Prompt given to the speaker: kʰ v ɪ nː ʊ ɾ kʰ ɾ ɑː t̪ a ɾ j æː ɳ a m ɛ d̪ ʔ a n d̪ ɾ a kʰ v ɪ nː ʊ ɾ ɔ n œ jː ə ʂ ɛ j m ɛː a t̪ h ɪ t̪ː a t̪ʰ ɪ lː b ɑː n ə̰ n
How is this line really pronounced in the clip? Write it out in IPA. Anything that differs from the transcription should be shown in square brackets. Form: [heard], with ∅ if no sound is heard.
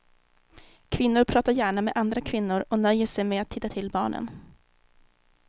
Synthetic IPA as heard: kʰ v ɪ nː ʊ ɾ [pʰ] ɾ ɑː t̪ a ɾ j æː ɳ a m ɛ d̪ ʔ a n d̪ ɾ a kʰ v ɪ nː ʊ ɾ ɔ n œ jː ə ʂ ɛ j m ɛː a t̪ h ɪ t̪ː a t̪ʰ ɪ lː b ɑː [ɳ] ə̰ n

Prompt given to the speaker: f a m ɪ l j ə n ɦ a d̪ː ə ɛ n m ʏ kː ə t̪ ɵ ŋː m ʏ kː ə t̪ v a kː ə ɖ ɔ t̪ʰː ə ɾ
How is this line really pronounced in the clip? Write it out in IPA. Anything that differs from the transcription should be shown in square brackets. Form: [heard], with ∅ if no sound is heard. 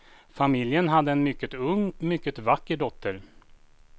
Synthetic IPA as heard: f a m ɪ l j ə n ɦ a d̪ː ə ɛ n m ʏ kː ə t̪ ɵ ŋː m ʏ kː ə t̪ v a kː ə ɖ ɔ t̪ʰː ə ɾ

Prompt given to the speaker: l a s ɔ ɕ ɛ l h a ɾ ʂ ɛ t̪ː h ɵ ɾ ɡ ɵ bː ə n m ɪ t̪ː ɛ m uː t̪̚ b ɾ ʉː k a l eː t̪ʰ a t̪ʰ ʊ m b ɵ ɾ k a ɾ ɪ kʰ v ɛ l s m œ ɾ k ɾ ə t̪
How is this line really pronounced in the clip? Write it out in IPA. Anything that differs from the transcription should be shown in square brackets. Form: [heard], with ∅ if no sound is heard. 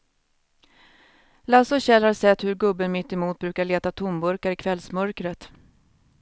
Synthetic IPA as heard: l a s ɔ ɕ ɛ l h a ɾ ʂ ɛ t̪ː h ɵ ɾ ɡ ɵ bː ə n m ɪ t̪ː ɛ m uː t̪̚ b ɾ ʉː k a [ɭ] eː [t̪] a t̪ʰ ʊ m b ɵ ɾ k a ɾ ɪ kʰ v ɛ l s m œ ɾ k ɾ ə t̪

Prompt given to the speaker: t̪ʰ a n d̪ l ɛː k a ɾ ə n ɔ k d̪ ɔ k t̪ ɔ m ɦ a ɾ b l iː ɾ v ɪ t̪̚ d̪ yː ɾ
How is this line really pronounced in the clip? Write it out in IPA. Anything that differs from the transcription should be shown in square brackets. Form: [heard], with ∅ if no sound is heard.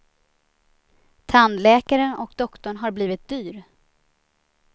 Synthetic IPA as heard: t̪ʰ a n d̪ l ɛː k a ɾ ə n ɔ k d̪ ɔ k t̪ ɔ [ɳ] ɦ a ɾ b l iː [∅] v ɪ t̪̚ d̪ yː ɾ

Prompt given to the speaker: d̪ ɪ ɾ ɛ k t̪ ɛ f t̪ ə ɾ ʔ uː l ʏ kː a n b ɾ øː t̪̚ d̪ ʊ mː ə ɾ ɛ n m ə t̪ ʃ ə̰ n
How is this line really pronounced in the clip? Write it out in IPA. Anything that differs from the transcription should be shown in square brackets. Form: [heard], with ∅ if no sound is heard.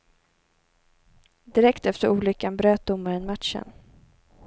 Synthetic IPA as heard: d̪ ɪ ɾ ɛ k t̪ ɛ f t̪ ə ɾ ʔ uː l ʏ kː a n b ɾ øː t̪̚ d̪ ʊ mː [a] ɾ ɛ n m [a] t̪ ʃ ə̰ n

